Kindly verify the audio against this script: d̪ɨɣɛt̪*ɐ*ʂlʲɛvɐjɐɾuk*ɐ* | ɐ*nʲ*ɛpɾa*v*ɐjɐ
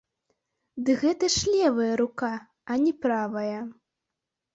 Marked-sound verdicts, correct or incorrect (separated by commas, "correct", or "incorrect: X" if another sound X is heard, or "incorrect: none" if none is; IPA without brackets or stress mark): correct, incorrect: a, correct, correct